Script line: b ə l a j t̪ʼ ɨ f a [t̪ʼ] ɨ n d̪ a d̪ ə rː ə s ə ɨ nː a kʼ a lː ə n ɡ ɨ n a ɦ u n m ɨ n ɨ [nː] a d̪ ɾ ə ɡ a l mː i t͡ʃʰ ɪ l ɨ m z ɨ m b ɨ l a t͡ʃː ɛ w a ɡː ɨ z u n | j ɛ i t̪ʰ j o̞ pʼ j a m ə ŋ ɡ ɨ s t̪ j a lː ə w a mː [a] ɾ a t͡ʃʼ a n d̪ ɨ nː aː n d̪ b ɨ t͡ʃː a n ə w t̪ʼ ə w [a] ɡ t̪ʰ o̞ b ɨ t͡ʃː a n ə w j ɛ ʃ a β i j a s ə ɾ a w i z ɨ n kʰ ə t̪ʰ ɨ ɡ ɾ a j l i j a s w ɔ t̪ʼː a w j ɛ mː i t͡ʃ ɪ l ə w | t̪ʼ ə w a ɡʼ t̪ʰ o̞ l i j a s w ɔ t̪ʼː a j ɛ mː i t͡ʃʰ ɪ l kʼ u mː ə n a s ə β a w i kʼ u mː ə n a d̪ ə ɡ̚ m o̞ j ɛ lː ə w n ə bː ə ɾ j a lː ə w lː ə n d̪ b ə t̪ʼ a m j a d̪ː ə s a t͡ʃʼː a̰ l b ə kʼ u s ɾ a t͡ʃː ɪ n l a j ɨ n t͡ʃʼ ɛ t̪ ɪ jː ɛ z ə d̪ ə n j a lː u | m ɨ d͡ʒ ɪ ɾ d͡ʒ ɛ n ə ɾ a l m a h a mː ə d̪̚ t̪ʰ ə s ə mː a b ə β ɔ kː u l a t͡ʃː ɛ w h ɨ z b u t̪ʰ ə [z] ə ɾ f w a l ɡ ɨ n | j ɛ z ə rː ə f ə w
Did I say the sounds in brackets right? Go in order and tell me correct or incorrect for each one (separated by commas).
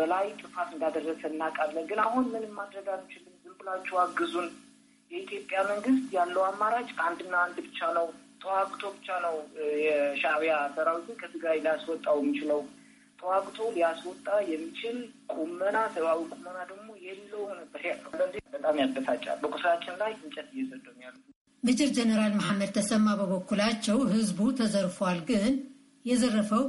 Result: incorrect, incorrect, correct, correct, correct